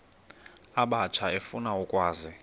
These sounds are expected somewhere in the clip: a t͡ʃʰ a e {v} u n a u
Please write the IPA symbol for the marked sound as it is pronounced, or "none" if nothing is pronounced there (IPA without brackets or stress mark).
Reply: f